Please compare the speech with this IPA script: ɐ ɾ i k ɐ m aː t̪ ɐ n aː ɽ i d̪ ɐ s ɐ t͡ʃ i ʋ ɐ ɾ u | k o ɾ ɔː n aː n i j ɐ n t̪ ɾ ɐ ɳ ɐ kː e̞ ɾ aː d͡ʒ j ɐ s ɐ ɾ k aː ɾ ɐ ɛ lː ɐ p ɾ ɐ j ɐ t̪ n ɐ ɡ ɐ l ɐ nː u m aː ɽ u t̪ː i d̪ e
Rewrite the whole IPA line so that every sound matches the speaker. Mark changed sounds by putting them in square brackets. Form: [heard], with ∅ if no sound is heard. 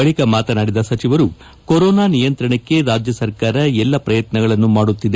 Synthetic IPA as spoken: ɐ [ɭ] i k ɐ m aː t̪ ɐ n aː ɽ i d̪ ɐ s ɐ t͡ʃ i ʋ ɐ ɾ u | k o ɾ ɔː n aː n i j ɐ n t̪ ɾ ɐ ɳ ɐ kː e̞ ɾ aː d͡ʒ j ɐ s ɐ ɾ k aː ɾ ɐ ɛ lː ɐ p ɾ ɐ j ɐ t̪ n ɐ ɡ ɐ [ɭ] ɐ nː u m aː ɽ u t̪ː i d̪ e